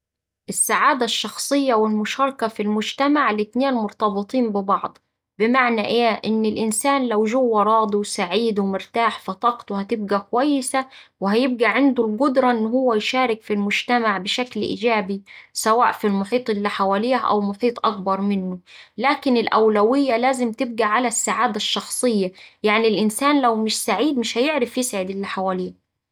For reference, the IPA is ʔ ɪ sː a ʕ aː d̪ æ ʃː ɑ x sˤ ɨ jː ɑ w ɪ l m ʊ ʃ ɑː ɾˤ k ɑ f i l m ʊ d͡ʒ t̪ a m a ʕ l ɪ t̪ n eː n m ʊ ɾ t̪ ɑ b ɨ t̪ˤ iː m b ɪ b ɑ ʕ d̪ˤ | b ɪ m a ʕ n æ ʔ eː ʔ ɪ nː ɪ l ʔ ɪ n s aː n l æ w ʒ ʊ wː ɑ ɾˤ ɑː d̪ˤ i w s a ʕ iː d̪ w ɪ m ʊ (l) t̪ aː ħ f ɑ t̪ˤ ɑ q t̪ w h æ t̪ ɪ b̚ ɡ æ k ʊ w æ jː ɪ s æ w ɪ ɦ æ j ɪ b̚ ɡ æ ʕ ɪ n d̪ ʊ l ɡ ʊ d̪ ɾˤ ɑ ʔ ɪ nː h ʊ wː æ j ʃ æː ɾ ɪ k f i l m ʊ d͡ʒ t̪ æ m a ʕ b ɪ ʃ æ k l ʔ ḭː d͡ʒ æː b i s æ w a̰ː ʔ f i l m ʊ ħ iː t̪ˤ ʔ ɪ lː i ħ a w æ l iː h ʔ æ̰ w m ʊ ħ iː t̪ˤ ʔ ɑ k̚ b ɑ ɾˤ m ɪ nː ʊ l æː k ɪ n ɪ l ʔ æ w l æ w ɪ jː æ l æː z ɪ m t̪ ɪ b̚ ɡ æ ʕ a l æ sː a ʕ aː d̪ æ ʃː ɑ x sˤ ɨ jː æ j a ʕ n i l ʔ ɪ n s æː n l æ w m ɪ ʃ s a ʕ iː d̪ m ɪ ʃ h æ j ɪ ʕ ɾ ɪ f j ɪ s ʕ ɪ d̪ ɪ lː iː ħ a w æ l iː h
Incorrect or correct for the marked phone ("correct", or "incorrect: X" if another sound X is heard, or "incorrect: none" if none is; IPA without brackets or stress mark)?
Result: incorrect: ɾ